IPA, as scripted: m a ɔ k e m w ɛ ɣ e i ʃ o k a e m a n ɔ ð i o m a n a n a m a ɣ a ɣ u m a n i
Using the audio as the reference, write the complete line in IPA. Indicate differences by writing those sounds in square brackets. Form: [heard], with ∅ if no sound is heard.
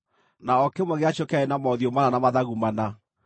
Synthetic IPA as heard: [n] a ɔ k e m w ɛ ɣ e [a] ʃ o k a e [n] a [m] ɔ ð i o m a n a n a m a [ð] a ɣ u m a n [a]